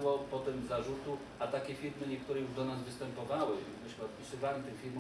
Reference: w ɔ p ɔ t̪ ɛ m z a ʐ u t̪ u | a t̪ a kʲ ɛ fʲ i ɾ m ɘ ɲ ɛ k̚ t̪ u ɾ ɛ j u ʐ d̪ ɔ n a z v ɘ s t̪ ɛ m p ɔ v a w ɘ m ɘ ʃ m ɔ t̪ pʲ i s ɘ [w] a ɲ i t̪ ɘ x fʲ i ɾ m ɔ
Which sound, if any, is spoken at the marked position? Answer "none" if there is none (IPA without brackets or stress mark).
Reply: v